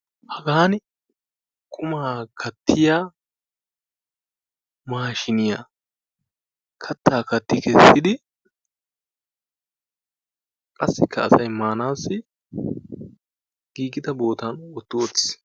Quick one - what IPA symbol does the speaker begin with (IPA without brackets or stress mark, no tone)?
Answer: h